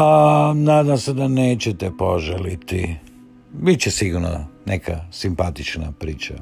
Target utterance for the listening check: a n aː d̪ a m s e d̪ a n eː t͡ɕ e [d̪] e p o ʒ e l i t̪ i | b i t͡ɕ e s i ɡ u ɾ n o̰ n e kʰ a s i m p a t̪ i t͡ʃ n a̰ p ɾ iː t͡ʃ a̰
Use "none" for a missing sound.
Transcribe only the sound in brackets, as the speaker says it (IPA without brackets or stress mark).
t̪